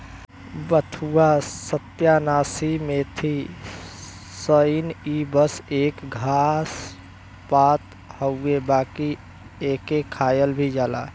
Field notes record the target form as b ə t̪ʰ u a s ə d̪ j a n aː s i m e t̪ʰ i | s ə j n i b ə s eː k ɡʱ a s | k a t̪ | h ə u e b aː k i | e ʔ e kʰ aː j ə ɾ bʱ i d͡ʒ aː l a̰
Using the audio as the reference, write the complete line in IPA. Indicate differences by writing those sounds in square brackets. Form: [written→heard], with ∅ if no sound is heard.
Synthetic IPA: b ə t̪ʰ u a s ə [d̪→t̪] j a n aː s i m e t̪ʰ i | s ə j n i b ə s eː k ɡʱ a s | [k→p] a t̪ | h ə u e b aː k i | e [ʔ→k] e kʰ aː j ə [ɾ→l] bʱ i d͡ʒ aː l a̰